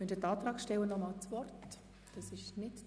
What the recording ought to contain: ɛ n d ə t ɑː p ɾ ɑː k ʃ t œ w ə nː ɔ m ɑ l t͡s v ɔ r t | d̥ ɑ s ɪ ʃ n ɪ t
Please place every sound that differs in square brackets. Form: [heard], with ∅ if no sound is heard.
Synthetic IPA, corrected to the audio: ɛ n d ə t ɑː [t] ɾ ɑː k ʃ t [ɛ] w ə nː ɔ m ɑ l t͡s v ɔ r t | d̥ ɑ s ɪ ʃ n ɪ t